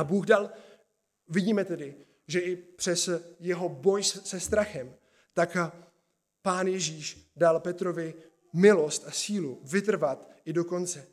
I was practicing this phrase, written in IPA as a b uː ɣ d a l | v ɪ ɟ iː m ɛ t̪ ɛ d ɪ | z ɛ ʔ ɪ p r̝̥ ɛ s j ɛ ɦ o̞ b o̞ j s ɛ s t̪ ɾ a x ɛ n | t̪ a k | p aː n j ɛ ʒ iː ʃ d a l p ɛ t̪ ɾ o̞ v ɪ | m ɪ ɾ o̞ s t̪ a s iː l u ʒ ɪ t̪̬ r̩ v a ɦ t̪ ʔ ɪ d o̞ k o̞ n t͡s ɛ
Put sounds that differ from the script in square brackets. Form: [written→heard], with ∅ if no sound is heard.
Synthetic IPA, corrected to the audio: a b uː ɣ d a l | v ɪ ɟ iː m ɛ t̪ ɛ d ɪ | [z→ʒ] ɛ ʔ ɪ p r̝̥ ɛ s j ɛ ɦ o̞ b o̞ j s ɛ s t̪ ɾ a x ɛ [n→m] | t̪ a k | p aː n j ɛ ʒ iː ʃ d a l p ɛ t̪ ɾ o̞ v ɪ | m ɪ [ɾ→l] o̞ s t̪ a s iː l u [ʒ→v] ɪ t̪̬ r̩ v a [ɦ→∅] t̪ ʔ ɪ d o̞ k o̞ n t͡s ɛ